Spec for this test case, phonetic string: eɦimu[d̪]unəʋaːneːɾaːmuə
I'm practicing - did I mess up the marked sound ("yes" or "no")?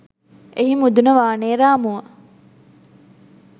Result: no